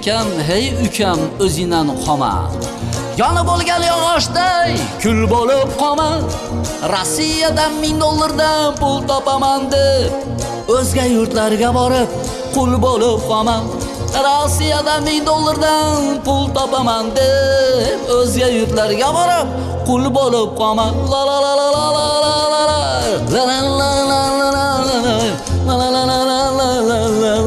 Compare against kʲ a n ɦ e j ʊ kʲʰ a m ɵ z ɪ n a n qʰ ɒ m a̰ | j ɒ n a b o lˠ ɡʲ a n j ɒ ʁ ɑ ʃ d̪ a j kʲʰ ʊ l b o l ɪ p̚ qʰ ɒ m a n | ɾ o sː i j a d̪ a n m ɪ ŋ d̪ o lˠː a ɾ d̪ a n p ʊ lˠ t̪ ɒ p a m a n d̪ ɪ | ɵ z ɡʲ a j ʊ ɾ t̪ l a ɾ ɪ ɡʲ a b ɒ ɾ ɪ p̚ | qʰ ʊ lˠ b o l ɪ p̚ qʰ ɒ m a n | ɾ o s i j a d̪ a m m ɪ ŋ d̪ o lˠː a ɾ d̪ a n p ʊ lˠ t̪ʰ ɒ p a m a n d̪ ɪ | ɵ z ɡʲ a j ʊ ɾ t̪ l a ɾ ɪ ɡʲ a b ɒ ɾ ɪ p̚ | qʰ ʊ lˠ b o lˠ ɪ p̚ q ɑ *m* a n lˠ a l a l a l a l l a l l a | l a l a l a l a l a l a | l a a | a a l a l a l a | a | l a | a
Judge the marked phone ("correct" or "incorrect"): correct